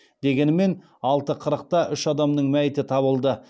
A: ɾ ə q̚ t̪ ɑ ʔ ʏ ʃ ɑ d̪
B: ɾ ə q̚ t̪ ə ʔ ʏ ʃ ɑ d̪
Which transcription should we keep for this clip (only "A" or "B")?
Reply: A